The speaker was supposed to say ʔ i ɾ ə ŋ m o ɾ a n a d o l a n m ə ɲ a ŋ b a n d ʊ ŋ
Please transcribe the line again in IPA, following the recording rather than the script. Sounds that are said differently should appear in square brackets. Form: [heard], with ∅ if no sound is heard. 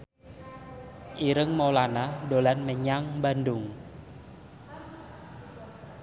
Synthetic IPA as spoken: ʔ i ɾ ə ŋ m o [l] a n a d o l a n m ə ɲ a ŋ b a n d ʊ ŋ